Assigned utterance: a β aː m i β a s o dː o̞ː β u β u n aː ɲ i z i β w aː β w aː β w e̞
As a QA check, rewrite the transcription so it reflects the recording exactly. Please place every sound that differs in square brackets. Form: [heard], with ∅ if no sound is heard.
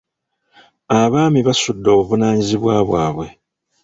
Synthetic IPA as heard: a β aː m i β a s [u] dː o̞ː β u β u n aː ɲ i z i β w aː β w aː β w e̞